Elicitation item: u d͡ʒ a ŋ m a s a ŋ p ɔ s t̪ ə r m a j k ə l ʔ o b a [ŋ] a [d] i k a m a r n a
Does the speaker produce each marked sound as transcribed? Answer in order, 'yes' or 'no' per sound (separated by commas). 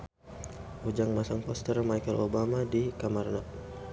no, yes